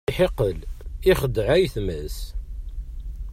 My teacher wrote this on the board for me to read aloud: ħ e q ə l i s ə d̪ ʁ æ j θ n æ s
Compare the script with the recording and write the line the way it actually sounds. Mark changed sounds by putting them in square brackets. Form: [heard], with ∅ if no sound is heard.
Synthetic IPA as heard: ħ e q ə l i [χ] ə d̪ [ʕ] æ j θ [m] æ s